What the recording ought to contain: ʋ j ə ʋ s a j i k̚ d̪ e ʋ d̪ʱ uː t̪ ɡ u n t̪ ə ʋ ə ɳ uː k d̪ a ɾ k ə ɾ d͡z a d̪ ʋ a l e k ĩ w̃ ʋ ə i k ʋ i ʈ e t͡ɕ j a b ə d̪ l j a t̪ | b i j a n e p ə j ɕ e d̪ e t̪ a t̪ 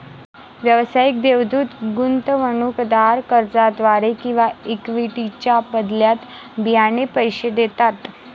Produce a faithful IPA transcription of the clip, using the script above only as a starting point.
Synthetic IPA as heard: ʋ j ə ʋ s a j i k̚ d̪ e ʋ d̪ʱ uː t̪ ɡ u n t̪ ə ʋ ə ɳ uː k d̪ a ɾ k ə ɾ d͡z a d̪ ʋ a ɾ e k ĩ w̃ ʋ a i k ʋ i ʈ i t͡ɕ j a b ə d̪ l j a t̪ | b i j a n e p ə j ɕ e d̪ e t̪ a t̪